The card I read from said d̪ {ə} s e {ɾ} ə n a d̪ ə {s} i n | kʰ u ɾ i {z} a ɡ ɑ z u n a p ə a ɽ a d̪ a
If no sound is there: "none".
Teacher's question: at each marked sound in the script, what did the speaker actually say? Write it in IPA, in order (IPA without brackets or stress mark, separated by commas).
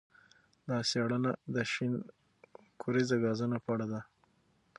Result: ɑ, ɽ, ʃ, z